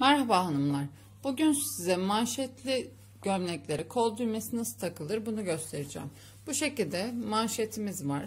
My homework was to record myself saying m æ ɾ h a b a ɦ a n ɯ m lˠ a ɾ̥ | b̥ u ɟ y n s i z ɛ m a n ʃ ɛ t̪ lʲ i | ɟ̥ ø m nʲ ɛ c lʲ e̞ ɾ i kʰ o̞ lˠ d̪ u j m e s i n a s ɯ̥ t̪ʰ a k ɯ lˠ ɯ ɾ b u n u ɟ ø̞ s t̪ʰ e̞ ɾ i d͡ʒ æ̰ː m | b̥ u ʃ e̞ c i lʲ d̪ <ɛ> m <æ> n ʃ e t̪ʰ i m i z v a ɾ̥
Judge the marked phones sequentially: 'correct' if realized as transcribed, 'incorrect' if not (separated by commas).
correct, incorrect